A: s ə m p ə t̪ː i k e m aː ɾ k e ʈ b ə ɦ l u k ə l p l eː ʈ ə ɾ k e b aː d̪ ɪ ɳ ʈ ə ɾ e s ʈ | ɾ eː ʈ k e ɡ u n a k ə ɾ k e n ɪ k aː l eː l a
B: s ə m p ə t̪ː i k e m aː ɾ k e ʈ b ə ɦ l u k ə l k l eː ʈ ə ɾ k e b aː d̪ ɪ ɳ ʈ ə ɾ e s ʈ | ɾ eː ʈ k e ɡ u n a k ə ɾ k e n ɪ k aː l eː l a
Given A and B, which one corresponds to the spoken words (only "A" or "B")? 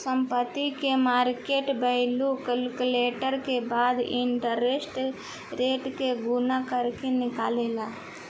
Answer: B